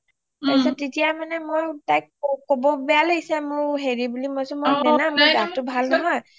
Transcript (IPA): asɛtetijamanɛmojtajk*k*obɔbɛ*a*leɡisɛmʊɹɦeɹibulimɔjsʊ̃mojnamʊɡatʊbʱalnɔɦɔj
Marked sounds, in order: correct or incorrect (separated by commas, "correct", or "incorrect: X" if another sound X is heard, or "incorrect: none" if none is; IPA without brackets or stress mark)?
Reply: correct, correct